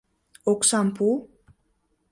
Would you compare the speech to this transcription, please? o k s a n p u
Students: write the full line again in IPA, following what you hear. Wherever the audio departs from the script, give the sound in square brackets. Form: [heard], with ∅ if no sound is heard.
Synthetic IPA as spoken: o k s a [m] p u